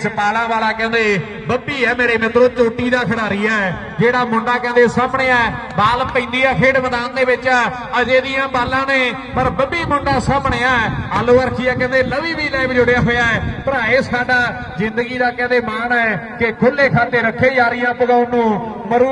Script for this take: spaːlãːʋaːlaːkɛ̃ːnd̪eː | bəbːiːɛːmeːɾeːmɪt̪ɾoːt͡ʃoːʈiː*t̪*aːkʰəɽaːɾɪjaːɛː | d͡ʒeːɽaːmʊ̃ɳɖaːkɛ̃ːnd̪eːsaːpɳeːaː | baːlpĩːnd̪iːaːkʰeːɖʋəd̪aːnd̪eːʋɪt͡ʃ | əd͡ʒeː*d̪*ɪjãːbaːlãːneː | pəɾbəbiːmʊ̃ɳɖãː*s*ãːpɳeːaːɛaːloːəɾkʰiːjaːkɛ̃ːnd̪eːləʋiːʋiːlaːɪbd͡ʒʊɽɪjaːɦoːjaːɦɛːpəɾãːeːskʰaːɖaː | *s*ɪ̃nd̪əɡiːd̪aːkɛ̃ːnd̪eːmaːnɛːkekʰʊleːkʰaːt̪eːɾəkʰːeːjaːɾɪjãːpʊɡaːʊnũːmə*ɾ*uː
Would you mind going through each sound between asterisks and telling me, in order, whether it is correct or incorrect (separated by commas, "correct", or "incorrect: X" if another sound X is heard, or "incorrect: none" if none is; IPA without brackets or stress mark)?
incorrect: d̪, correct, correct, incorrect: z, correct